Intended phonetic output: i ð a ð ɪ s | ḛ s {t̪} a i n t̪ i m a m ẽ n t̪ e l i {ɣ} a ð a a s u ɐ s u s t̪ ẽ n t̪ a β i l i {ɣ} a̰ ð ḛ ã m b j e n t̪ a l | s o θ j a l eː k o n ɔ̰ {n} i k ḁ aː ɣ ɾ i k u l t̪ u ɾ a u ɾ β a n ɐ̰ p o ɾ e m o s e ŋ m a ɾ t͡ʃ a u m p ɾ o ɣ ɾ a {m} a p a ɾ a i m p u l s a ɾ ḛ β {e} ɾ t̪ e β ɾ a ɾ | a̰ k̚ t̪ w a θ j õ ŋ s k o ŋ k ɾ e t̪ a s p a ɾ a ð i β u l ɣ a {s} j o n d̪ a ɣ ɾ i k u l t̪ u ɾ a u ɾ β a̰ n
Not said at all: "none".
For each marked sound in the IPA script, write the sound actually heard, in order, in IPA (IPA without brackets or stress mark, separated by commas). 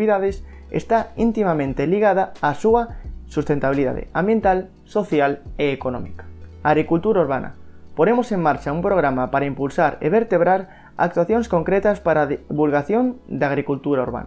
t̪, ɣ, ð, m, m, e, θ